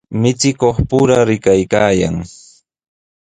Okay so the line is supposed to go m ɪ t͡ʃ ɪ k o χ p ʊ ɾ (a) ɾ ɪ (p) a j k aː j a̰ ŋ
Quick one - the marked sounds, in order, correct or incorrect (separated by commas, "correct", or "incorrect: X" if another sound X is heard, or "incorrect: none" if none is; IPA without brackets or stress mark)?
correct, incorrect: k